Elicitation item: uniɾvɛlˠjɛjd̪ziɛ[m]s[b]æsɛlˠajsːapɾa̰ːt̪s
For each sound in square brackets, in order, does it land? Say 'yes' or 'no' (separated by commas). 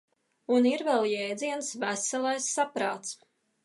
no, no